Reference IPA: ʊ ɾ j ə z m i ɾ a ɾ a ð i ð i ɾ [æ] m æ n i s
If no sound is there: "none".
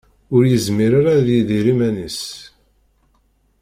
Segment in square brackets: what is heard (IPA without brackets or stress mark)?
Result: i